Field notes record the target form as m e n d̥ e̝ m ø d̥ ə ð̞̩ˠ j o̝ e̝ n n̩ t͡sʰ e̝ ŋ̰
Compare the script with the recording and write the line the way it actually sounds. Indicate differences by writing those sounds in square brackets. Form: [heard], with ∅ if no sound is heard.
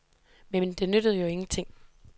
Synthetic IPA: m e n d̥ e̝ [n] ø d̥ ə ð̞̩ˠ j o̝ e̝ [ŋ] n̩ t͡sʰ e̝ ŋ̰